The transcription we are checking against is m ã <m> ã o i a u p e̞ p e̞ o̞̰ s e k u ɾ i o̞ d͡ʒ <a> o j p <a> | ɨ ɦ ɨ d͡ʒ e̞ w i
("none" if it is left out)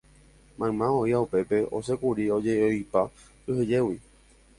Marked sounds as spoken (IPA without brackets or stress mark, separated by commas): m, e, a